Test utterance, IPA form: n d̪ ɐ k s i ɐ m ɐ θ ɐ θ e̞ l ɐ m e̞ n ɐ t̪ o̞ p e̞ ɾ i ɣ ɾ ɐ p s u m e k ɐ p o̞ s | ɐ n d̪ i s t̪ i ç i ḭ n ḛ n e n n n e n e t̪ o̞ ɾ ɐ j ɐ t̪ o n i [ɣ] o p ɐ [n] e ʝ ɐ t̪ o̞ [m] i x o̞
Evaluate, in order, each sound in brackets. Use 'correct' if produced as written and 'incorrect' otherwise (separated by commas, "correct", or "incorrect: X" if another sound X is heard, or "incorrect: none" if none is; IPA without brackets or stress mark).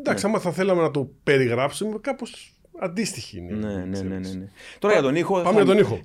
incorrect: x, incorrect: m, incorrect: n